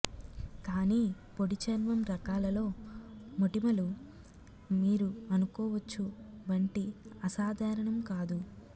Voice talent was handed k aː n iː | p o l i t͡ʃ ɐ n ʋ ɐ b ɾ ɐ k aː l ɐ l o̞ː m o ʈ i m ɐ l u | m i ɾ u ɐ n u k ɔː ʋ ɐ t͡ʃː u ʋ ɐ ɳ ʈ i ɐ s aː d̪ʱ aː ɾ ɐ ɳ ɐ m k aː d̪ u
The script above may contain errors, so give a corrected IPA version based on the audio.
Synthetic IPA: k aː n iː | p o ɽ i t͡ʃ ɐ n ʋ ɐ m ɾ ɐ k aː l ɐ l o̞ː m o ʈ i m ɐ l u | m iː ɾ u ɐ n u k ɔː ʋ ɐ t͡ʃː u ʋ ɐ ɳ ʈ i ɐ s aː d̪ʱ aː ɾ ɐ ɳ ɐ m k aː d̪ u

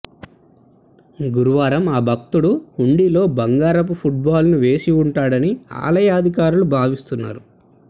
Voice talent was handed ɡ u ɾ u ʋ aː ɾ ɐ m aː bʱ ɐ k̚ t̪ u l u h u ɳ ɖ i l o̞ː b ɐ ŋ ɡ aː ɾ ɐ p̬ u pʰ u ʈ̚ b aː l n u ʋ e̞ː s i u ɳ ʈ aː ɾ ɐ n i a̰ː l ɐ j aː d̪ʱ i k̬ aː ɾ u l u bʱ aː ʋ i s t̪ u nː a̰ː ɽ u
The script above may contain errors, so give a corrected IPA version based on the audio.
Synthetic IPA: ɡ u ɾ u ʋ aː ɾ ɐ m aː bʱ ɐ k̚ t̪ u ɽ u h u ɳ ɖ i l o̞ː b ɐ ŋ ɡ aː ɾ ɐ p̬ u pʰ u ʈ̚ b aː l n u ʋ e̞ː s i u ɳ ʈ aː ɽ ɐ n i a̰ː l ɐ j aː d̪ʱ i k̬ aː ɾ u l u bʱ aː ʋ i s t̪ u nː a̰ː ɾ u

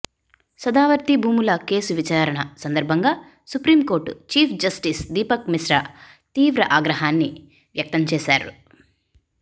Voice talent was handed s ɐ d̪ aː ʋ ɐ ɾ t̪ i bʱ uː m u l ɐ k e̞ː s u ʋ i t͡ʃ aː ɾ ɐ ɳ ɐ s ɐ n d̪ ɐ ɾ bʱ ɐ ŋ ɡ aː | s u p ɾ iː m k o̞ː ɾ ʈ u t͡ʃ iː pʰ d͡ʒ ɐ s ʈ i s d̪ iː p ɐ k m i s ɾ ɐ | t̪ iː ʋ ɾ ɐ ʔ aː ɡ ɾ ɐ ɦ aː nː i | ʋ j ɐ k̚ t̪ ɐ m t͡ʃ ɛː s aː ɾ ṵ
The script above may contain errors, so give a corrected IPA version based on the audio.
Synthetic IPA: s ɐ d̪ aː ʋ ɐ ɾ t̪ i bʱ uː m u l ɐ k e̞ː s u ʋ i t͡ʃ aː ɾ ɐ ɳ ɐ s ɐ n d̪ ɐ ɾ bʱ ɐ ŋ ɡ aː | s u p ɾ iː m k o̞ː ɾ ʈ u t͡ʃ iː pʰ d͡ʒ ɐ s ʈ i s d̪ iː p ɐ k m i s ɾ ɐ | t̪ iː ʋ ɾ ɐ ʔ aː ɡ ɾ ɐ ɦ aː nː i | ʋ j ɐ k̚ t̪ ɐ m t͡ʃ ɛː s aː ɾ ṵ

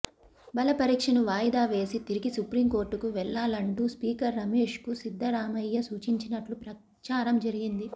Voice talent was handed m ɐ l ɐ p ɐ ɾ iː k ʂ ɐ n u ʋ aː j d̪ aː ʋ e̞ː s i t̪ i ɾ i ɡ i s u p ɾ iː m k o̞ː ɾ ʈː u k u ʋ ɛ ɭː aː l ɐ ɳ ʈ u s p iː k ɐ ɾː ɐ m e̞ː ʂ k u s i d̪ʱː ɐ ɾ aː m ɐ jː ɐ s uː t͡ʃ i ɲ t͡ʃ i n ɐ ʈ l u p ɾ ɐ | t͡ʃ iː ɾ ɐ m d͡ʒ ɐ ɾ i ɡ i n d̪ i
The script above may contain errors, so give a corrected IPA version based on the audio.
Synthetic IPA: b ɐ l ɐ p ɐ ɾ iː k ʂ ɐ n u ʋ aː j d̪ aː ʋ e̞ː s i t̪ i ɾ i ɡ i s u p ɾ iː m k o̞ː ɾ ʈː u k u ʋ ɛ ɭː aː l ɐ ɳ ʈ u s p iː k ɐ ɾː ɐ m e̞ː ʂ k u s i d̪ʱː ɐ ɾ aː m ɐ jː ɐ s uː t͡ʃ i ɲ t͡ʃ i n ɐ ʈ l u p ɾ ɐ | t͡ʃ aː ɾ ɐ m d͡ʒ ɐ ɾ i ɡ i n d̪ i

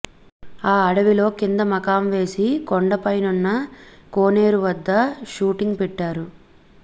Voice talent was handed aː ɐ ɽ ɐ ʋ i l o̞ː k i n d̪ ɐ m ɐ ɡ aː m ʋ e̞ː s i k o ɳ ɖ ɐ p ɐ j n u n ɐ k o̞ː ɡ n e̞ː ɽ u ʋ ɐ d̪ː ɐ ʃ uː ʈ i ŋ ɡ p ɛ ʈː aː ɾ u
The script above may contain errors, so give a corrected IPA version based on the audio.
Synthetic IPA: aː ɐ ɽ ɐ ʋ i l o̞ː k i n d̪ ɐ m ɐ k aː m ʋ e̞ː s i k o ɳ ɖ ɐ p ɐ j n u nː ɐ k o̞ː n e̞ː ɾ u ʋ ɐ d̪ː ɐ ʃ uː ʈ i ŋ ɡ p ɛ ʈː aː ɾ u

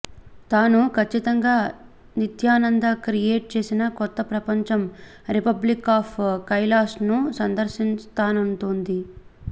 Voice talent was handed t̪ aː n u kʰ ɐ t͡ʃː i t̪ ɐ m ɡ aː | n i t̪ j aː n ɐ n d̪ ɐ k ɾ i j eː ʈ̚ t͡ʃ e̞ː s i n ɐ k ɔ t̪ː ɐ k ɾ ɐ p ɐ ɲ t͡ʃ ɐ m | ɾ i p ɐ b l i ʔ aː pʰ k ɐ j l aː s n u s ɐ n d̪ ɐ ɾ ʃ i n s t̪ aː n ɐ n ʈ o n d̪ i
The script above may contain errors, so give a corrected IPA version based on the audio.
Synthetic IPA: t̪ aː n u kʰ ɐ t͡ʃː i t̪ ɐ ŋ ɡ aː | n i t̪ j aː n ɐ n d̪ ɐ k ɾ i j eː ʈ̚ t͡ʃ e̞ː s i n ɐ k ɔ t̪ː ɐ p ɾ ɐ p ɐ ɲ t͡ʃ ɐ m | ɾ i p ɐ b l i k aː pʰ k ɐ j l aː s n u s ɐ n d̪ ɐ ɾ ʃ i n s t̪ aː n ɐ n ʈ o n d̪ i

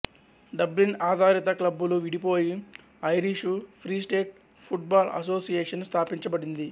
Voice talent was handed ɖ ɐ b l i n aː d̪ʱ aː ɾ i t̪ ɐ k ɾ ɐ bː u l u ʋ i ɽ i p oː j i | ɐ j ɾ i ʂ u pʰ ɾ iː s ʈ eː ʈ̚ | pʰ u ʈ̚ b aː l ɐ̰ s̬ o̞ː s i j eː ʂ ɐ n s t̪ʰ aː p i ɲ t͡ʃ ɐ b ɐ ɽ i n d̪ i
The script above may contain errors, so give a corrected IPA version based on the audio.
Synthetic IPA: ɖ ɐ b l i n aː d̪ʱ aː ɾ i t̪ ɐ k l ɐ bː u l u ʋ i ɽ i p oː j i | ɐ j ɾ i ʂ u pʰ ɾ iː s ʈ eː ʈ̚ | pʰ u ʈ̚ b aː l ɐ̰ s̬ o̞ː s i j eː ʂ ɐ n s t̪ʰ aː p i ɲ t͡ʃ ɐ b ɐ ɽ i n d̪ i

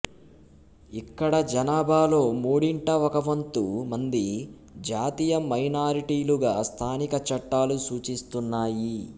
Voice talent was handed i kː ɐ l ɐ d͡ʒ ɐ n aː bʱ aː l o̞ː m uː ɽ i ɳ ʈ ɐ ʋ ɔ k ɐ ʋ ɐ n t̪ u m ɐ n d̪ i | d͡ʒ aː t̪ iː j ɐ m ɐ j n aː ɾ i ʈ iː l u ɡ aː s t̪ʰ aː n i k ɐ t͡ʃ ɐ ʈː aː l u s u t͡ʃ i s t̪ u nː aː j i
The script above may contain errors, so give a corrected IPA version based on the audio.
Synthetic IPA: i kː ɐ ɽ ɐ d͡ʒ ɐ n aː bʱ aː l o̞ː m uː ɽ i ɳ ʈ ɐ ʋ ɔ k ɐ ʋ ɐ n t̪ u m ɐ n d̪ i | d͡ʒ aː t̪ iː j ɐ m ɐ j n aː ɾ i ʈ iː l u ɡ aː s t̪ʰ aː n i k ɐ t͡ʃ ɐ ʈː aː l u s uː t͡ʃ i s t̪ u nː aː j i

